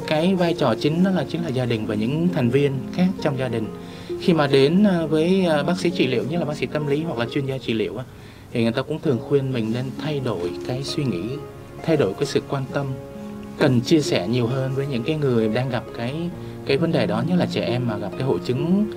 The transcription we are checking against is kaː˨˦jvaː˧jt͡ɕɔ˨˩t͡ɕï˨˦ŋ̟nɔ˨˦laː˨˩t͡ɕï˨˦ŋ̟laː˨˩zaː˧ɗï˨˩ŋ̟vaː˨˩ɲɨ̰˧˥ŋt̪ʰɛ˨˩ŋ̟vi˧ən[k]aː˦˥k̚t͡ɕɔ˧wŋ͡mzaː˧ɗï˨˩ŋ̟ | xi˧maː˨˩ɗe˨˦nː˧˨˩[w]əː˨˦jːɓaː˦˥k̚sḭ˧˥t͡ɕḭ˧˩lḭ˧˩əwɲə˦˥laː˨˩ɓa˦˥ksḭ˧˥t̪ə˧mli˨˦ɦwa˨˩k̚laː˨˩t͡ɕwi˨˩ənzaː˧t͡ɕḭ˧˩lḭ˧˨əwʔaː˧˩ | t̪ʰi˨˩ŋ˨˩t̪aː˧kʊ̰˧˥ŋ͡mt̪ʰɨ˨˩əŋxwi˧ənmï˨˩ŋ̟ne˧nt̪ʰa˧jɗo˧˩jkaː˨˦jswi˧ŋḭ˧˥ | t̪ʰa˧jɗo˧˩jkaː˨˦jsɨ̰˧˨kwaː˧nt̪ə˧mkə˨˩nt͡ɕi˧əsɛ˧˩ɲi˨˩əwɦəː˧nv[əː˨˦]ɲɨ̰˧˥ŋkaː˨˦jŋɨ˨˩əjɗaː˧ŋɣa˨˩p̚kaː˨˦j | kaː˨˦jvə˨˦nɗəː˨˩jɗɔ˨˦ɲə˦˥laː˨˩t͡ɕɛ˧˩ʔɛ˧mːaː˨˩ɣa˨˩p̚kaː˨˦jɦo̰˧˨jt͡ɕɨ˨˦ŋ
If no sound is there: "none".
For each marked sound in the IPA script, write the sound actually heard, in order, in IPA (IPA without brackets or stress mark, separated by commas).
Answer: x, v, əː˨˦